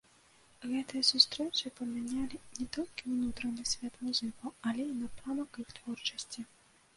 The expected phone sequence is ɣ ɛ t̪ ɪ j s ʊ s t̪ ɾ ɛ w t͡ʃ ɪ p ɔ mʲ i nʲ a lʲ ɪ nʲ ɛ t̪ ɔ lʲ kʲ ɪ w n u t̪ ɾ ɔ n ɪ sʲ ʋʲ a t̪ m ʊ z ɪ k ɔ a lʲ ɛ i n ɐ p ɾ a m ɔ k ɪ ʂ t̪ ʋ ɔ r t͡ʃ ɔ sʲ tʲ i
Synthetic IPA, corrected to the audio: ɣ ɛ t̪ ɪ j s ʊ s t̪ ɾ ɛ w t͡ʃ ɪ p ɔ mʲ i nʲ a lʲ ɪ nʲ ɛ t̪ ɔ lʲ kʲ ɪ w n u t̪ ɾ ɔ n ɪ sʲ ʋʲ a t̪ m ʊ z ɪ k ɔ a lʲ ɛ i n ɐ p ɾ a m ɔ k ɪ x t̪ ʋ ɔ r t͡ʃ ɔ sʲ tʲ i